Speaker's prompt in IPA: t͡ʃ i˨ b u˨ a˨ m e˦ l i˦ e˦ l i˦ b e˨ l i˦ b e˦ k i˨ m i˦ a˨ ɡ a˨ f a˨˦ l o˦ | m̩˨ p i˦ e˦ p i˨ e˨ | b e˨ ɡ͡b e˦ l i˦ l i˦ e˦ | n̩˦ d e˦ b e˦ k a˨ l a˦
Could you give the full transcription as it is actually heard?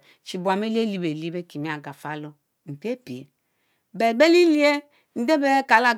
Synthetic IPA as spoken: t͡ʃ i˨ b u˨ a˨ m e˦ l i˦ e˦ l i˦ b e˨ l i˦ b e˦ k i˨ m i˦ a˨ ɡ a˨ f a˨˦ l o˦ | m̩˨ p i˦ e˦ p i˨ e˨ | b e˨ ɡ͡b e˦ l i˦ l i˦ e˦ | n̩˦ d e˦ b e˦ k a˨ l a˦